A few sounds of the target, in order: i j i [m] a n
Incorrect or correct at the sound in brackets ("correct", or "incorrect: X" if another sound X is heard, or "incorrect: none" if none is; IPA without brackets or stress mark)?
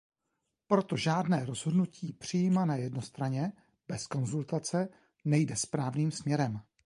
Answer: correct